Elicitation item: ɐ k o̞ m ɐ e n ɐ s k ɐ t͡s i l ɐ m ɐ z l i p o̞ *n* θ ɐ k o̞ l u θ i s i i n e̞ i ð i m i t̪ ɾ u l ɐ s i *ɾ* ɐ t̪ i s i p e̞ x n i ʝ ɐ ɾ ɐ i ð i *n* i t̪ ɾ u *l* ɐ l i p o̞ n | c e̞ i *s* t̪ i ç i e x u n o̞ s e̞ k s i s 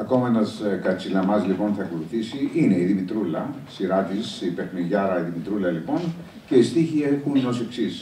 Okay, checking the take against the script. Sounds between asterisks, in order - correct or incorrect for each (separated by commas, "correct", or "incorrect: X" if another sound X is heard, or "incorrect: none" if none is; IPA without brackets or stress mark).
correct, correct, incorrect: m, correct, correct